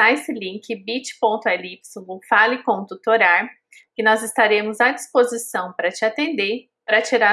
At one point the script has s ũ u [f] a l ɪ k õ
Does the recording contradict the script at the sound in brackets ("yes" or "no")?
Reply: no